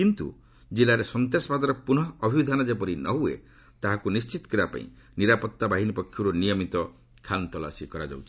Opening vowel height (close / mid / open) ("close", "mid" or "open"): close